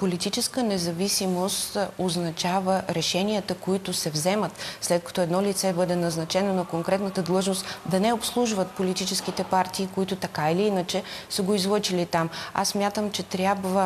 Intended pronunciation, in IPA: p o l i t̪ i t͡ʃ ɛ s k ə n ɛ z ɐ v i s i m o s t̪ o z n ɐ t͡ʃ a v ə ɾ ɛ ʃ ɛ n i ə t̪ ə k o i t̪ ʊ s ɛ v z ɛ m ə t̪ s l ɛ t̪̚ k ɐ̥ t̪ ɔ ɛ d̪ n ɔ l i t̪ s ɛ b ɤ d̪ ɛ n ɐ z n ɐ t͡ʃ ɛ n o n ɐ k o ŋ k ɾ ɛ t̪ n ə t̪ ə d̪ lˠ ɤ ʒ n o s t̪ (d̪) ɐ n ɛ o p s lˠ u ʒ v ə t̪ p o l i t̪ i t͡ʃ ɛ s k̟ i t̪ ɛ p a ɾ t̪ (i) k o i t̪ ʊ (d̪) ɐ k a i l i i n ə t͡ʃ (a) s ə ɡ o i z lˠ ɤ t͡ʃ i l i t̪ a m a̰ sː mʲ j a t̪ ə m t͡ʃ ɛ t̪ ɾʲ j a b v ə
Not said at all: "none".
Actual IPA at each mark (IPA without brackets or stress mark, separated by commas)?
d̪, iː, t̪, ɛ